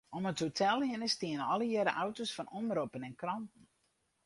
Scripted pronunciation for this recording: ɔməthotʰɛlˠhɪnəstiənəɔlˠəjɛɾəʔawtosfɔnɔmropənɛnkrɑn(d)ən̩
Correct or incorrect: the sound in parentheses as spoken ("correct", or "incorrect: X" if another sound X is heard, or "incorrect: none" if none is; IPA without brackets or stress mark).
incorrect: t